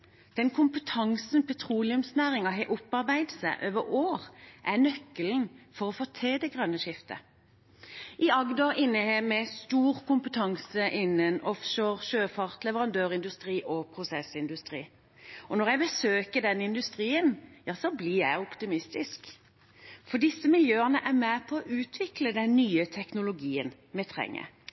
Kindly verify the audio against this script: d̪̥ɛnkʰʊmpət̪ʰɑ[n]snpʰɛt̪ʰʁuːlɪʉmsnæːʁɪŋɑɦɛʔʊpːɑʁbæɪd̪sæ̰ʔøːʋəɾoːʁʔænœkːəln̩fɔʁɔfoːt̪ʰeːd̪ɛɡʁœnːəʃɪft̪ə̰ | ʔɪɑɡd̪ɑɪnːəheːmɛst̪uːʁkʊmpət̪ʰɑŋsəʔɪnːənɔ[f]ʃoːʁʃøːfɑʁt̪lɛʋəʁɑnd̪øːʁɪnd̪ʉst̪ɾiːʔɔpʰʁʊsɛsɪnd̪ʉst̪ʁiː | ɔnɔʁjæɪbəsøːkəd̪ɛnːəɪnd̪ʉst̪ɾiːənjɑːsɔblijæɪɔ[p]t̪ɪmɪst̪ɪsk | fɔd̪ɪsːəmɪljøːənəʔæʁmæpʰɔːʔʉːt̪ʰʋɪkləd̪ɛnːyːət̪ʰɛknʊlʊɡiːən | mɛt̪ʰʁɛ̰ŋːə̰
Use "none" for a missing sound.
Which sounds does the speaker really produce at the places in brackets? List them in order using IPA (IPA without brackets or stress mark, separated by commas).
ŋ, f, p